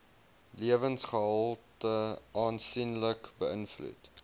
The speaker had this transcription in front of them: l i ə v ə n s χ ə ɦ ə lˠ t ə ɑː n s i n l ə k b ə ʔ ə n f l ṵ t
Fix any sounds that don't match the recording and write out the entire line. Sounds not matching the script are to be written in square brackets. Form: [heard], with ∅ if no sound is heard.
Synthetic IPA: l i ə v ə n s χ ə ɦ ə lˠ t ə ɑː n s i n l ə k b ə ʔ ə n f l ṵ t